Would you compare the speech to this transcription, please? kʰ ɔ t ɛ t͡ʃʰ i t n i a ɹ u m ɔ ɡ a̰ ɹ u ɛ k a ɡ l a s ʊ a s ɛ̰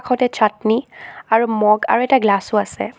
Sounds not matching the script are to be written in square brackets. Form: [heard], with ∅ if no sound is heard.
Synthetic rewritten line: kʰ ɔ t ɛ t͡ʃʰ [a] t n i a ɹ u m ɔ ɡ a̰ ɹ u ɛ [t] a ɡ l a s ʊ a s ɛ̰

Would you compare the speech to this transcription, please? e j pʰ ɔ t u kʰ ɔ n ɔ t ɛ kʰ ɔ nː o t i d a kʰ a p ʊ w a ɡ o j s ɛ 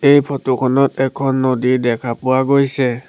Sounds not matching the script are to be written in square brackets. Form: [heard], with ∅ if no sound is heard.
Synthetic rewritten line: e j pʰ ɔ t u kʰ ɔ n ɔ t ɛ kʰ ɔ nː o [d] i d [ɛ] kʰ a p ʊ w a ɡ o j s ɛ

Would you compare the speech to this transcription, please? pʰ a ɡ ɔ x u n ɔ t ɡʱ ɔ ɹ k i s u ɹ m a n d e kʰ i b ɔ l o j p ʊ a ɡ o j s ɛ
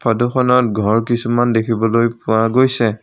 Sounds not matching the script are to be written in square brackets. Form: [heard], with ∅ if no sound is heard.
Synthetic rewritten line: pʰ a [d] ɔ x [ɔ] n ɔ t ɡʱ ɔ ɹ k i s u [∅] m a n d e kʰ i b ɔ l o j p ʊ a ɡ o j s ɛ

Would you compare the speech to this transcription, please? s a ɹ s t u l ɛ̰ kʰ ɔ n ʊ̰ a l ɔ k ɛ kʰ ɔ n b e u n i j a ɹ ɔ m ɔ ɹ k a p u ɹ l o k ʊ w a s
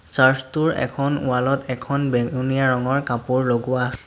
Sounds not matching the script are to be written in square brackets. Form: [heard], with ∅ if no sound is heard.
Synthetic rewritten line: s a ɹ s t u [ɹ] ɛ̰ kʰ ɔ n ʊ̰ a l ɔ [t] ɛ kʰ ɔ n b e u n i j a ɹ ɔ [ŋ] ɔ ɹ k a p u ɹ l o [ɡ] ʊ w a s

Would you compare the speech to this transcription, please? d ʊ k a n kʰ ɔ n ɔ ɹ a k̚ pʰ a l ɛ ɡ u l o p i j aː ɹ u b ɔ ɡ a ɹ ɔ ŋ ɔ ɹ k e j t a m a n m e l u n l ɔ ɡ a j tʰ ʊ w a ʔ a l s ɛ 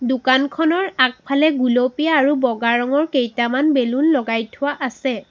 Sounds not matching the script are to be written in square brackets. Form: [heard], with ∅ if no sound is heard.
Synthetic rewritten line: d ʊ k a n kʰ ɔ n ɔ ɹ a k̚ pʰ a l ɛ ɡ u l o p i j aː ɹ u b ɔ ɡ a ɹ ɔ ŋ ɔ ɹ k e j t a m a n [b] e l u n l ɔ ɡ a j tʰ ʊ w a ʔ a [∅] s ɛ

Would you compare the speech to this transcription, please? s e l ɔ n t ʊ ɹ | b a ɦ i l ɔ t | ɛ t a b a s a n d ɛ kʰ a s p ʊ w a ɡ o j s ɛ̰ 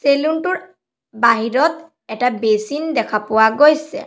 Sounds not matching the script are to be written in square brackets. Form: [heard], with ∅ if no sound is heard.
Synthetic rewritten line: s e l [u] n t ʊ ɹ | b a ɦ i [ɹ] ɔ t | ɛ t a b [e] s [i] n d ɛ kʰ a [∅] p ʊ w a ɡ o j s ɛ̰

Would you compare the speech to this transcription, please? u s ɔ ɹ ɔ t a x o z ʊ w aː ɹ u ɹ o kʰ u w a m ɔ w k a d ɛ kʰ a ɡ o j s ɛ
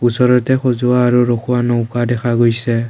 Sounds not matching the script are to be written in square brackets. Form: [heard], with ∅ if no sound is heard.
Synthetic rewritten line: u s ɔ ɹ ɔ t [ɛ] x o z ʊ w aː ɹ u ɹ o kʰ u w a [n] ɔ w k a d ɛ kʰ a ɡ o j s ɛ

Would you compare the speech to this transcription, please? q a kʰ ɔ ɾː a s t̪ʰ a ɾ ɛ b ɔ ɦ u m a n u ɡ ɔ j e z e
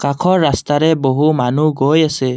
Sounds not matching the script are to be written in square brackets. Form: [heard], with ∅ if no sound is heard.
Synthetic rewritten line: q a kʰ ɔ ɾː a s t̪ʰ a ɾ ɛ b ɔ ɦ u m a n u ɡ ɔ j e [s] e

